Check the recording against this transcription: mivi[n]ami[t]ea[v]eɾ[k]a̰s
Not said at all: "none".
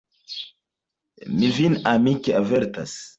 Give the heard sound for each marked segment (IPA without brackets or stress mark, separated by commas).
n, k, v, t